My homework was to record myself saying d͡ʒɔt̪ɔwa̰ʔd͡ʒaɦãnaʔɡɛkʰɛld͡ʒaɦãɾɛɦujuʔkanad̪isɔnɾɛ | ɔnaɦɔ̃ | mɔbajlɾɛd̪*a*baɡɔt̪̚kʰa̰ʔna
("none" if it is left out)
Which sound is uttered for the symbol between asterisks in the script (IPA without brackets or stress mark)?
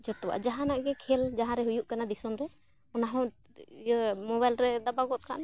a